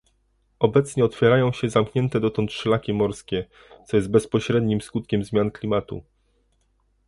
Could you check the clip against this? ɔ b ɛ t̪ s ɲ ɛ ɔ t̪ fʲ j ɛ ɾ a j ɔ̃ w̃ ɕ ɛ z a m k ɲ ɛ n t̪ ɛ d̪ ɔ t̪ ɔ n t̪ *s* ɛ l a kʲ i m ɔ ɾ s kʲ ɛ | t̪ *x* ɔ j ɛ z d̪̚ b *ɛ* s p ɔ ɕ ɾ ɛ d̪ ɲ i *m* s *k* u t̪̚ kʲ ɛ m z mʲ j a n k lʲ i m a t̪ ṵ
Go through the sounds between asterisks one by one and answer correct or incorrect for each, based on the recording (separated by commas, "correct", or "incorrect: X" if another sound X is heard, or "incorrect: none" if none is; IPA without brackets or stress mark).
incorrect: ʂ, incorrect: s, correct, correct, correct